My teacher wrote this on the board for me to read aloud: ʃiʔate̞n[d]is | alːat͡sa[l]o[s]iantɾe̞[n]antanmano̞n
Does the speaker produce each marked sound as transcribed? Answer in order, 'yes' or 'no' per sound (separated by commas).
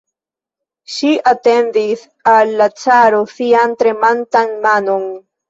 yes, no, yes, no